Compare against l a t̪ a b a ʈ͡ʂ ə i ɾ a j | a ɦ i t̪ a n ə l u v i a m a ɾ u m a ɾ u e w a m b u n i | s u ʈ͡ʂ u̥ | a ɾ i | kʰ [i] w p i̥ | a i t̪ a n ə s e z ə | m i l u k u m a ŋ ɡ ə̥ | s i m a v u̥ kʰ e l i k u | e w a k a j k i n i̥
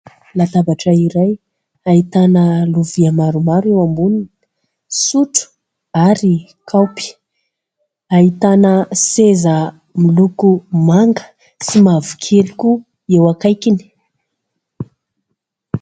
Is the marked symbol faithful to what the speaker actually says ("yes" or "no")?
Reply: no